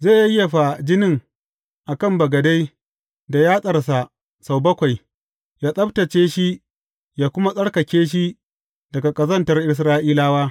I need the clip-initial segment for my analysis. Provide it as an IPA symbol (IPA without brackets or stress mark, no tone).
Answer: z